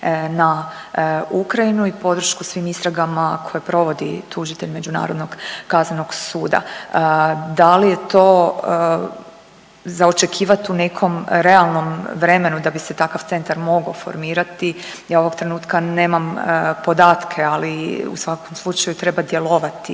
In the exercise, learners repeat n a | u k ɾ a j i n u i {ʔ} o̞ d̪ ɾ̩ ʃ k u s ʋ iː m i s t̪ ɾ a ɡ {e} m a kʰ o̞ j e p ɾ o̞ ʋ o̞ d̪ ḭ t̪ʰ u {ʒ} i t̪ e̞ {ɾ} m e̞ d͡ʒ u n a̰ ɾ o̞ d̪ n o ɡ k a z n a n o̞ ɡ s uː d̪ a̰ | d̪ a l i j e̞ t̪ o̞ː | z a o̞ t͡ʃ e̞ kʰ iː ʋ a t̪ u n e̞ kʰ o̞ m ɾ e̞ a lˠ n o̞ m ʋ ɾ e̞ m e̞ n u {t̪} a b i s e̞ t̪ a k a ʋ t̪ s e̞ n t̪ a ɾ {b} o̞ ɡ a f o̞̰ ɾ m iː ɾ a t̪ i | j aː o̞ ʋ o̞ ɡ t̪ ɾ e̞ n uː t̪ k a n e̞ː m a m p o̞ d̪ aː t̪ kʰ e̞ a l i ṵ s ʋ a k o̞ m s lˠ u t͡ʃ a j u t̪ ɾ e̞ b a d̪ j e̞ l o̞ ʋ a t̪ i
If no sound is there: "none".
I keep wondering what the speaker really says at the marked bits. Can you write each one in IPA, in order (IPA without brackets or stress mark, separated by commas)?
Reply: p, a, ʒ, ʎ, d̪, m